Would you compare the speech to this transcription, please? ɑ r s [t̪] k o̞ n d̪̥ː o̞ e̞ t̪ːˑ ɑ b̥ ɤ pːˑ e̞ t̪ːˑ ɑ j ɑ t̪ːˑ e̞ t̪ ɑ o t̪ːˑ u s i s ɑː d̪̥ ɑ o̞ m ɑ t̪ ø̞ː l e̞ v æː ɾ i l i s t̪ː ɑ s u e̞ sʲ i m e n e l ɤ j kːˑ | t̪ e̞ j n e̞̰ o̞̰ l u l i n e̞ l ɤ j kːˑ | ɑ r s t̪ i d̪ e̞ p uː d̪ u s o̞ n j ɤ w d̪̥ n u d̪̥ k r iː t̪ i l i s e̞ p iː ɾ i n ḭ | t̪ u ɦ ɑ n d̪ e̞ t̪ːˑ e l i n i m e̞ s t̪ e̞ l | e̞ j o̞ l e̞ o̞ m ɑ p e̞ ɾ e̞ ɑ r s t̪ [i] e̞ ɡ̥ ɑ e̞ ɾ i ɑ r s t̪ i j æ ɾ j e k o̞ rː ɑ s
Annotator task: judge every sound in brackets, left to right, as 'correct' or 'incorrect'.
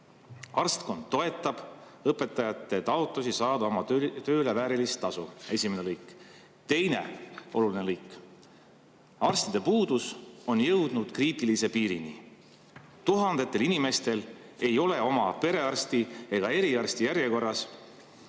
correct, correct

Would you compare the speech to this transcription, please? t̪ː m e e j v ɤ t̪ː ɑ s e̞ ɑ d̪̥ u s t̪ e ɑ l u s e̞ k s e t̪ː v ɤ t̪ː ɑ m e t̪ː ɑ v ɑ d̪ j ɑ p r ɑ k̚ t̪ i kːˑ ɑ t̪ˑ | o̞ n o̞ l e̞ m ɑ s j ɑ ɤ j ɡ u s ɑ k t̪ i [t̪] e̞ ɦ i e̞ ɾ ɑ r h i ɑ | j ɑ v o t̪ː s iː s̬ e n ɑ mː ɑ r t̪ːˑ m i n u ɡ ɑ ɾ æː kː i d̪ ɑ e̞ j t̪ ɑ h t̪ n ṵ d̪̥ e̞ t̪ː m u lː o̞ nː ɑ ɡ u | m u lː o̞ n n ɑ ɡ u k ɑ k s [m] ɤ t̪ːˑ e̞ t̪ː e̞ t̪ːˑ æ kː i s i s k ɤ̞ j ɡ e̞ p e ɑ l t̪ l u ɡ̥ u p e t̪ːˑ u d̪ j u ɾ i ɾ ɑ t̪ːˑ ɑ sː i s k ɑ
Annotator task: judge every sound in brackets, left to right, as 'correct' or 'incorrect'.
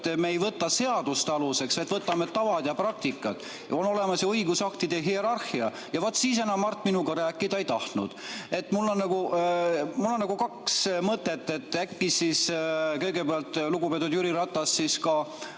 incorrect, correct

